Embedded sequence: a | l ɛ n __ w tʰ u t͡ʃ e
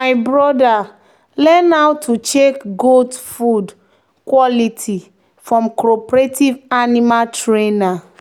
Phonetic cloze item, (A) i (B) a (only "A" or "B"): B